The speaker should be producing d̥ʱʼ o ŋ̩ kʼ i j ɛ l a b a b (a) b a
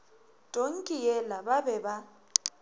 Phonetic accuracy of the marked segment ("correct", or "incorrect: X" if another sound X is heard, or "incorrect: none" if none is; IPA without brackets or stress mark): incorrect: ɛ